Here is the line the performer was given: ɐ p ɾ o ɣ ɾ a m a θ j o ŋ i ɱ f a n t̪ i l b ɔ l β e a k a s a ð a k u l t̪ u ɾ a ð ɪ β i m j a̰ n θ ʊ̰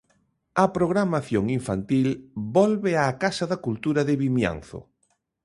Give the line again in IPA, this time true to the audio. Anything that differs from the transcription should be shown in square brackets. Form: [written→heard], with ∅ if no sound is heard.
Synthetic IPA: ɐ p ɾ o ɣ ɾ a m a θ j o ŋ i ɱ f a n t̪ i l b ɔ l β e a k a s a ð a k u l t̪ u ɾ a ð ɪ β i m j a̰ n θ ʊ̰